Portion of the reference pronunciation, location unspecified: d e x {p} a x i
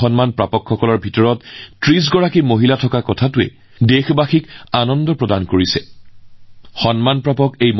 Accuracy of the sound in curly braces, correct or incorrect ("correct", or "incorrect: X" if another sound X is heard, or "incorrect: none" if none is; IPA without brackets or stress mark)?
incorrect: b